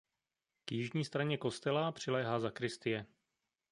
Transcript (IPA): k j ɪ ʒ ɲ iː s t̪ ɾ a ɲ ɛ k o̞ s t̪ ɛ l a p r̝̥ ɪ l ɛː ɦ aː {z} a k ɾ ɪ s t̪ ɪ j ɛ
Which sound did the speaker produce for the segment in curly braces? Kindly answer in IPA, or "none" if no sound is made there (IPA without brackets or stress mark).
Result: z